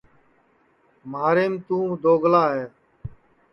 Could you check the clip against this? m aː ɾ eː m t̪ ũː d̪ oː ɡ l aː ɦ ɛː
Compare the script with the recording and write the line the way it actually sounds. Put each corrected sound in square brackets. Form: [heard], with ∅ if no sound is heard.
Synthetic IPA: m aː ɾ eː m t̪ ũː d̪ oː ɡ l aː ɦ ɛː